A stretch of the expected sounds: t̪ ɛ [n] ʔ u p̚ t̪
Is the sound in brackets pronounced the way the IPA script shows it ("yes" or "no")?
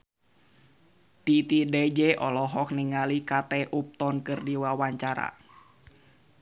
no